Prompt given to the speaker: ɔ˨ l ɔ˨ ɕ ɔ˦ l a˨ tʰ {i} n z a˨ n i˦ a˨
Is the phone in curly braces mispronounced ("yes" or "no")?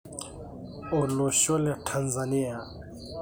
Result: yes